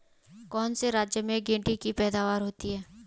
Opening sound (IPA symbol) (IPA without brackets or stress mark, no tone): k